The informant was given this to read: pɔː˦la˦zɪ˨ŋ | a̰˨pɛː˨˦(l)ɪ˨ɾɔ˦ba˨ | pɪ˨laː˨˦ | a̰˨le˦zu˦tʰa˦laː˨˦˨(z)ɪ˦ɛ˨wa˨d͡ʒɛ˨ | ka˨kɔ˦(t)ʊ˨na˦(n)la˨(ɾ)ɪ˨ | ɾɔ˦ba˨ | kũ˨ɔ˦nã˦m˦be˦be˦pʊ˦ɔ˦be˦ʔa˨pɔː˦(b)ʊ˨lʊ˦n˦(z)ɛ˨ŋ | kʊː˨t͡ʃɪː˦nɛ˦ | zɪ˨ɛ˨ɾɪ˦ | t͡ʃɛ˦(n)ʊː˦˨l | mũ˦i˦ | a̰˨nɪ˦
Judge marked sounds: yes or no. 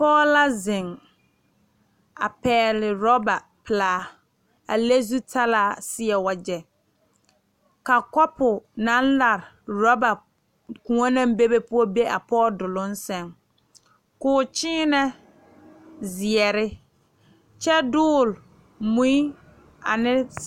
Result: yes, no, no, yes, yes, no, no, no

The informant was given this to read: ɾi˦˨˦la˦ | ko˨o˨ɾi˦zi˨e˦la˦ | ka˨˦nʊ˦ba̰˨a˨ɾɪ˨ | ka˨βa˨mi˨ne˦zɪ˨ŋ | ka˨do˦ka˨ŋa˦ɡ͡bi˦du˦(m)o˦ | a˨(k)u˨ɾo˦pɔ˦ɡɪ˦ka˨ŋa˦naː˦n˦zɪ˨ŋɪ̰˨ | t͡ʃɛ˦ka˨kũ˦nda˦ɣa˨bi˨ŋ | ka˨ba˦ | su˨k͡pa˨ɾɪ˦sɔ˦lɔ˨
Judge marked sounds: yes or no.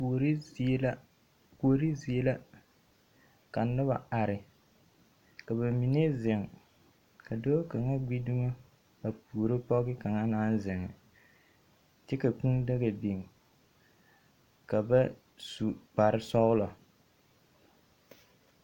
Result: no, no

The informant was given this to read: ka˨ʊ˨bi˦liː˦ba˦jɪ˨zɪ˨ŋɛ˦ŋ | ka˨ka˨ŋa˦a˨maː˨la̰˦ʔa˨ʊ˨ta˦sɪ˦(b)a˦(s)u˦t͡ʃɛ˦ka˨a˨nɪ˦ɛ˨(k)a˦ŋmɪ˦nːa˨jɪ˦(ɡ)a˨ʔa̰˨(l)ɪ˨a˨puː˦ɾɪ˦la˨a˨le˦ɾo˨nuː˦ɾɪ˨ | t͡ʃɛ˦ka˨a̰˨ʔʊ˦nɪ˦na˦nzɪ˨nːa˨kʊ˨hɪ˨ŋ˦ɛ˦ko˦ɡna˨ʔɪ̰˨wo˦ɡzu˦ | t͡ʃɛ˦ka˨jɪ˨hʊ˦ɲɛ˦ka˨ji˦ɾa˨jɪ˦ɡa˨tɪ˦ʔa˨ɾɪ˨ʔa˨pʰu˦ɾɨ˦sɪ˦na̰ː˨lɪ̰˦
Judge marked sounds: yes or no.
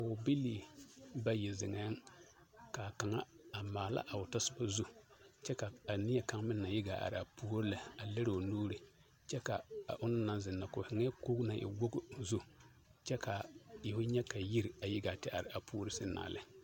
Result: yes, no, yes, yes, no

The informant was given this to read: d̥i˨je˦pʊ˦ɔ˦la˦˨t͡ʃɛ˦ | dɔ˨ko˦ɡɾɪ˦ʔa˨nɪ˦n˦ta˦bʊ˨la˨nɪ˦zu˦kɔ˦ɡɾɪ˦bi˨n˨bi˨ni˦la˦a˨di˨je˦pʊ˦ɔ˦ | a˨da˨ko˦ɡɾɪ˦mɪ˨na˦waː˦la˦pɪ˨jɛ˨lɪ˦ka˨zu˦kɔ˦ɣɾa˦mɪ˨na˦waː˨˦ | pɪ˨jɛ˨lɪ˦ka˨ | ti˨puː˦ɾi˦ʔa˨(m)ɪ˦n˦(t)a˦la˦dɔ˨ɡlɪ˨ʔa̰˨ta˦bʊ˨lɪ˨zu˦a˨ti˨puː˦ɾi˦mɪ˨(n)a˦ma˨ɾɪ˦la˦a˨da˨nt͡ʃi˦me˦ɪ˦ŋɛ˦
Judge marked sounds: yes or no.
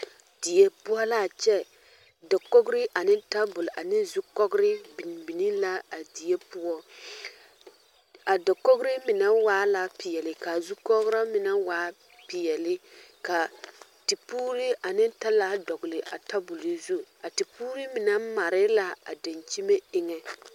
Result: no, yes, yes

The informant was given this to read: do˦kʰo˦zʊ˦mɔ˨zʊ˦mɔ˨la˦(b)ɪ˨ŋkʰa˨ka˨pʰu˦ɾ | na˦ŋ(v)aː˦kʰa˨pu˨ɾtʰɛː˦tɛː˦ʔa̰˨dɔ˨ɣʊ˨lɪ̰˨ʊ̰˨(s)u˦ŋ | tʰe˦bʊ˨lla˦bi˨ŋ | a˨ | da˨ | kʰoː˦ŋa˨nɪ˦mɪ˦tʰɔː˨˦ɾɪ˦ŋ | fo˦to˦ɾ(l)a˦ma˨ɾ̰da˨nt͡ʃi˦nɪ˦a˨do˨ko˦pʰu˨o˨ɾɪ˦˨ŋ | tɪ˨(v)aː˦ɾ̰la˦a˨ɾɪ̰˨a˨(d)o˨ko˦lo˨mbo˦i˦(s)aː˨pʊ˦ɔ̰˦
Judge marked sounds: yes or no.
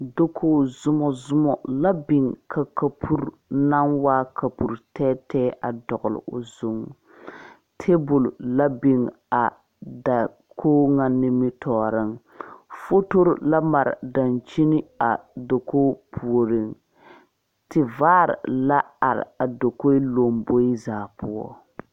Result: yes, no, no, yes, yes, yes, no

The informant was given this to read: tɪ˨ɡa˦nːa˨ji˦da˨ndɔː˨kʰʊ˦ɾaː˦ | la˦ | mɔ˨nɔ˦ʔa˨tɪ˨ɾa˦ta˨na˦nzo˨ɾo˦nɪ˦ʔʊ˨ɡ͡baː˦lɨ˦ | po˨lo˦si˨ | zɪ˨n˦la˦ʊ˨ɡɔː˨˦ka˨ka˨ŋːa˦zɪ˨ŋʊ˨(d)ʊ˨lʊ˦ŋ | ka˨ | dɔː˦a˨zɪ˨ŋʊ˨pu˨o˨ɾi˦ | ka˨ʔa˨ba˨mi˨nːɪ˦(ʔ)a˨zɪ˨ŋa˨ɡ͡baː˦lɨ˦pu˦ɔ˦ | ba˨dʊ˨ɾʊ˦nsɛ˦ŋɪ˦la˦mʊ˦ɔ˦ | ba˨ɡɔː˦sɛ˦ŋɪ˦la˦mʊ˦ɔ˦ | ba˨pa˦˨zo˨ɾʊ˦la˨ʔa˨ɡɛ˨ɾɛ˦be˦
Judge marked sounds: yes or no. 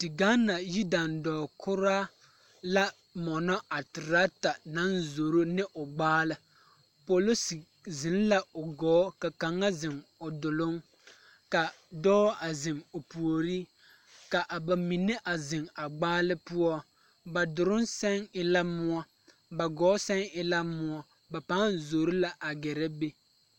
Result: yes, yes

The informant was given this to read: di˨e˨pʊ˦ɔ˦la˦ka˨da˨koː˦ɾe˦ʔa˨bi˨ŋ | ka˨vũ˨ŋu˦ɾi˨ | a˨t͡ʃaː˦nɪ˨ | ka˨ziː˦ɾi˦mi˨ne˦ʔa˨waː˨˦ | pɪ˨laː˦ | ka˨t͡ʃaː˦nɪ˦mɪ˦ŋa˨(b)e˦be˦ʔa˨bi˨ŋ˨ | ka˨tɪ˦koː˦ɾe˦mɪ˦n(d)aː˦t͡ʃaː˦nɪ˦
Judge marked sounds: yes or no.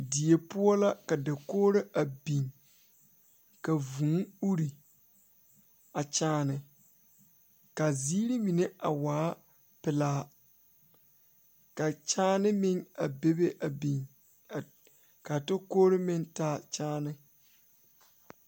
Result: yes, no

